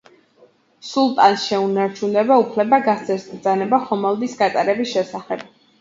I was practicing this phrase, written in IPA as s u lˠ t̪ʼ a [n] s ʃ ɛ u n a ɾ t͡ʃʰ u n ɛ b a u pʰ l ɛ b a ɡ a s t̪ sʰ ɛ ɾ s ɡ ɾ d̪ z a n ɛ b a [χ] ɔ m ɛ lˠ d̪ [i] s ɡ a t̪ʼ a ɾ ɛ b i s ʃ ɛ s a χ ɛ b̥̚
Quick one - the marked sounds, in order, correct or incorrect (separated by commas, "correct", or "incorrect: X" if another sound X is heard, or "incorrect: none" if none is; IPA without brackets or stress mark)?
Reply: correct, correct, correct